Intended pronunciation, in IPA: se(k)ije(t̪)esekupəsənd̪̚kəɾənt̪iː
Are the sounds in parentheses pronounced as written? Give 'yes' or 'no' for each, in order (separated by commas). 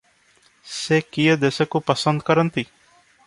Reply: yes, no